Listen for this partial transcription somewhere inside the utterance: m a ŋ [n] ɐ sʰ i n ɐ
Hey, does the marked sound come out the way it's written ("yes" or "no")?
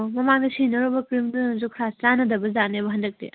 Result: no